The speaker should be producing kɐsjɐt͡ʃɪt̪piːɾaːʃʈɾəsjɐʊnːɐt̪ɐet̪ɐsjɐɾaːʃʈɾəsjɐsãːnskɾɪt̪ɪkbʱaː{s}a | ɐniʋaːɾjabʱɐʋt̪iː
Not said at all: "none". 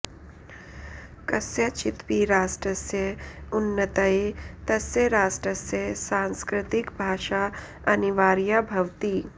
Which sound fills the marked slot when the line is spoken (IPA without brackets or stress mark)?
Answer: ʃ